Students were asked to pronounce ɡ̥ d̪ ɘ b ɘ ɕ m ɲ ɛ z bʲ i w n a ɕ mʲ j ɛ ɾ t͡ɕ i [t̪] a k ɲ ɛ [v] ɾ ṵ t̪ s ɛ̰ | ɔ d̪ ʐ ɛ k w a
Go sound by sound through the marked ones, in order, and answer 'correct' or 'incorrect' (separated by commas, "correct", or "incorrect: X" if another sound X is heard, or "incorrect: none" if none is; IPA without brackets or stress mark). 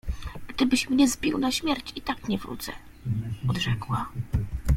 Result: correct, correct